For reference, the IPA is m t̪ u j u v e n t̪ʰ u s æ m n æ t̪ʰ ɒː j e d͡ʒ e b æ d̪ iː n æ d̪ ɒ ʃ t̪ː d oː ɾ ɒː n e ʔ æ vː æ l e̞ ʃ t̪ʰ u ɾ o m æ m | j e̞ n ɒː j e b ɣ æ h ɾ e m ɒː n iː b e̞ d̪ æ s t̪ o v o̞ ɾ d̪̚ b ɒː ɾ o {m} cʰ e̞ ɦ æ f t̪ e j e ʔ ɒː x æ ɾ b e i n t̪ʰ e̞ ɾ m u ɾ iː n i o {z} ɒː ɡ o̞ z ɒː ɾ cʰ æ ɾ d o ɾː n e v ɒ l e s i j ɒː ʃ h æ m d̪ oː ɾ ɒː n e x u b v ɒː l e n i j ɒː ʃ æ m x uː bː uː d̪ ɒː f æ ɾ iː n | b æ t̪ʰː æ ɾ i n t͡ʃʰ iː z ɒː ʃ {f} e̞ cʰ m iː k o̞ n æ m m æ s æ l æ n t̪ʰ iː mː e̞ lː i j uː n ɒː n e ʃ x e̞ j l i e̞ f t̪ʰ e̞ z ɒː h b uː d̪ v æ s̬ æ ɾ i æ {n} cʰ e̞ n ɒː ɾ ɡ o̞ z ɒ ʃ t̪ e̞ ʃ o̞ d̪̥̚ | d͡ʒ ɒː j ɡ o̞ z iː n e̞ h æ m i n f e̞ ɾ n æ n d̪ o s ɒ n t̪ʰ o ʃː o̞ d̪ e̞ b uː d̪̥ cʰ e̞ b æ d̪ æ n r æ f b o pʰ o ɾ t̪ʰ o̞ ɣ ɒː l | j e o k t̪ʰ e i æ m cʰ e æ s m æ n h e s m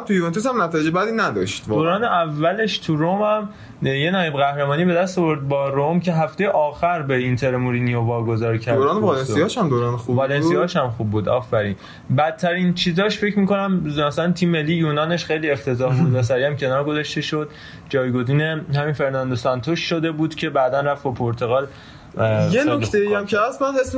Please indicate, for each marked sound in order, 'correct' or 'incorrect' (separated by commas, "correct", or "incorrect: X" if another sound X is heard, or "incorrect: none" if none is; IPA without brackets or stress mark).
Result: correct, incorrect: v, correct, incorrect: m